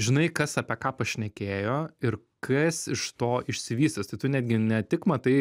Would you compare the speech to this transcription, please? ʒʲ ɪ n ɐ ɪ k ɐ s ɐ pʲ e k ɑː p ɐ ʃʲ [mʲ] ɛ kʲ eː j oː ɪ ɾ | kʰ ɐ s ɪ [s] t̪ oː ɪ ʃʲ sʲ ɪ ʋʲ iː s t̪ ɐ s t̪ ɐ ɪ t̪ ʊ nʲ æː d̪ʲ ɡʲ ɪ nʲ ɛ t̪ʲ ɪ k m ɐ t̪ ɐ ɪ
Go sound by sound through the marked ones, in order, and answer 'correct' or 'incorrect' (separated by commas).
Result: incorrect, incorrect